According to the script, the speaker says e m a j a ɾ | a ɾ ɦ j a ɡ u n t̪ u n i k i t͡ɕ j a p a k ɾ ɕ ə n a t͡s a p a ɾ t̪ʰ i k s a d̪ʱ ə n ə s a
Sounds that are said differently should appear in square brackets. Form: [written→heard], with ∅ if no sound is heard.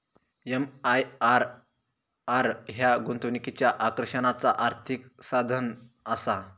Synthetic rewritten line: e m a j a ɾ | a ɾ ɦ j a ɡ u n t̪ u n i k i t͡ɕ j a [p→ʔ] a k ɾ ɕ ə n a t͡s a [p→ʔ] a ɾ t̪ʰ i k s a d̪ʱ ə n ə s a